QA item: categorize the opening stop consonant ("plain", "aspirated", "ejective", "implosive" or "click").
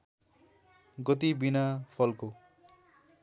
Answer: plain